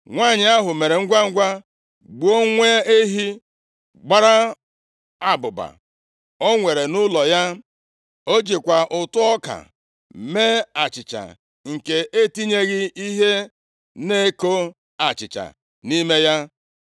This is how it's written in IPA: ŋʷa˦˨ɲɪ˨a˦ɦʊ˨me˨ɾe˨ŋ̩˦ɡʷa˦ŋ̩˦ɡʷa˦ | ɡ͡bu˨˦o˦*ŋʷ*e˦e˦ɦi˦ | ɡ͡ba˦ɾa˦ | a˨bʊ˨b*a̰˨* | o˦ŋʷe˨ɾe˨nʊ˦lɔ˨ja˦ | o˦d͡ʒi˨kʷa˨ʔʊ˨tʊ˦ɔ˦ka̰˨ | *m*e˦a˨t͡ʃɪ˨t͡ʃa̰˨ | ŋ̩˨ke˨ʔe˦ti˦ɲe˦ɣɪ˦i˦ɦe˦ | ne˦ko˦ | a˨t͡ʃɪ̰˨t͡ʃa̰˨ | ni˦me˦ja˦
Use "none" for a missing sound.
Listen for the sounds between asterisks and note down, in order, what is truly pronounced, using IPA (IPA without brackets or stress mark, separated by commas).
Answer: ŋʷ, a̰˨, m